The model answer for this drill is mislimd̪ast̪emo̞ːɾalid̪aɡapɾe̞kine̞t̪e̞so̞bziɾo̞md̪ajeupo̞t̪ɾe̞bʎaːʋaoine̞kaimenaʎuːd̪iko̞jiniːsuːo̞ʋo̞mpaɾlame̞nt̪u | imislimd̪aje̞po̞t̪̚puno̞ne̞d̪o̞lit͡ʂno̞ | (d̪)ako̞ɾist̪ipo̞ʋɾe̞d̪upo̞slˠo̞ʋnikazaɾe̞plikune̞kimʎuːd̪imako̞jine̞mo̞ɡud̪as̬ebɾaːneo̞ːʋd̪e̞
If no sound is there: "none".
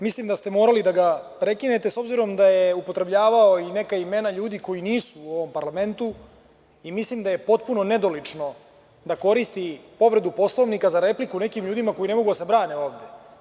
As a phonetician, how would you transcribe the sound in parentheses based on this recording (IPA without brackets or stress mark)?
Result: d̪